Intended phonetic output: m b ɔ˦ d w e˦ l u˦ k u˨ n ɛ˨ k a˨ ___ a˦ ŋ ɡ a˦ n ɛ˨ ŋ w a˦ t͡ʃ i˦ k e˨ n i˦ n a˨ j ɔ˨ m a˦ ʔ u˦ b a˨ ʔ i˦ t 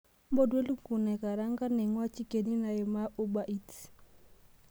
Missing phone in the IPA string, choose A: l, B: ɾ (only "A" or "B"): B